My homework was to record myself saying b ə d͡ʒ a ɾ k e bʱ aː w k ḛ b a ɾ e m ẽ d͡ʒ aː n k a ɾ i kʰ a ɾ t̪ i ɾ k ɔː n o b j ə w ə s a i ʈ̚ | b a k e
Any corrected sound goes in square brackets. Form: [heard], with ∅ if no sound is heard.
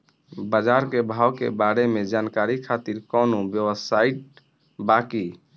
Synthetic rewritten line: b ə d͡ʒ a ɾ k e bʱ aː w k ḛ b a ɾ e m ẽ d͡ʒ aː n k a ɾ i kʰ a [∅] t̪ i ɾ k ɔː n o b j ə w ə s a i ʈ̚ | b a k [i]